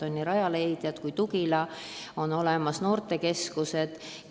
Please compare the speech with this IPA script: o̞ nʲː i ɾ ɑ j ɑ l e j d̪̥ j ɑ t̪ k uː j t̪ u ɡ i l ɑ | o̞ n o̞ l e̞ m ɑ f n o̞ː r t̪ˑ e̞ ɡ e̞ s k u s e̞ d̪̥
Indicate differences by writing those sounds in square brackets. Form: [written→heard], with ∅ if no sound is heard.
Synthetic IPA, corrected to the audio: o̞ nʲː i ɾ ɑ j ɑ l e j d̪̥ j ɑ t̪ k [uː→u] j t̪ u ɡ i l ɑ | o̞ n o̞ l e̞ m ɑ [f→s] n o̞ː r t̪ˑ e̞ [ɡ→k] e̞ s k u s e̞ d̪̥

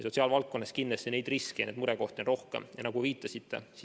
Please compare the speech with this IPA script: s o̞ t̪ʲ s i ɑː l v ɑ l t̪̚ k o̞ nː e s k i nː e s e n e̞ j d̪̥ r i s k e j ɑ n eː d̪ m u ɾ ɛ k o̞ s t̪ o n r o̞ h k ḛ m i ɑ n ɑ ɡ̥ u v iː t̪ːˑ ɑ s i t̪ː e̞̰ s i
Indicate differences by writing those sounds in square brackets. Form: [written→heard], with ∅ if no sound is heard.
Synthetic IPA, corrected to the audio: s o̞ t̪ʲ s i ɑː l v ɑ l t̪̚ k o̞ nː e s k i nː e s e n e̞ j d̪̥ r i s k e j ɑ n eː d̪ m u ɾ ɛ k o̞ [s→h] t̪ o n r o̞ h k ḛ m [i→j] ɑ n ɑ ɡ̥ u v iː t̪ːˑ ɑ s i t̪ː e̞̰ s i

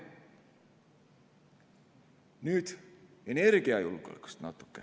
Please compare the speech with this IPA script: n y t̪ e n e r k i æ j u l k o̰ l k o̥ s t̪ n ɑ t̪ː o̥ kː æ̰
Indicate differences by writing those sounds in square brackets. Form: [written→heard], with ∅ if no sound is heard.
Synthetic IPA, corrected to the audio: n y t̪ e n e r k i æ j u l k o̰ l k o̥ s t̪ n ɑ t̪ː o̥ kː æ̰

